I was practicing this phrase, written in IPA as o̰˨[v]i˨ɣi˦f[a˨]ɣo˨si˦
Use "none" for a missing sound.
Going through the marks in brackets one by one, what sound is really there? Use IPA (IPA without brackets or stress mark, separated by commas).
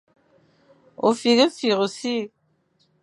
f, i˨